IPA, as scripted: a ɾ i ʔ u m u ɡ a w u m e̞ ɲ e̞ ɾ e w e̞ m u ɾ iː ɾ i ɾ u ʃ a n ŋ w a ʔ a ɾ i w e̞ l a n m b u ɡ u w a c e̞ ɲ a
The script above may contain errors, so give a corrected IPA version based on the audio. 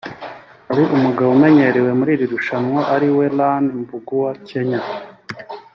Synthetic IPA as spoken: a ɾ i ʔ u m u ɡ a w u m e̞ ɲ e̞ ɾ e w e̞ m u ɾ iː ɾ i ɾ u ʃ a n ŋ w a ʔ a ɾ i w e̞ l a n m b u ɡ u w a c e̞ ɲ a